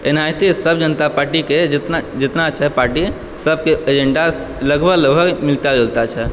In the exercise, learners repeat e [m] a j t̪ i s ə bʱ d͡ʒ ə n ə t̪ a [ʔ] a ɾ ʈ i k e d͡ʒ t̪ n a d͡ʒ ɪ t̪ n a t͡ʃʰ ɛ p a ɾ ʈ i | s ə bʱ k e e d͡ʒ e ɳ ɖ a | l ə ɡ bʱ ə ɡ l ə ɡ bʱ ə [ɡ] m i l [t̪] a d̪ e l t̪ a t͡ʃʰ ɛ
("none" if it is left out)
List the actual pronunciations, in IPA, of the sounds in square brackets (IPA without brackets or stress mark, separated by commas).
n, p, ɡ, t̪